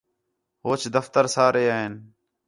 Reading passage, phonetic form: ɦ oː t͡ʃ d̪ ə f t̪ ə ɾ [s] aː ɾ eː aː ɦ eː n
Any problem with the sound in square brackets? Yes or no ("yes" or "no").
no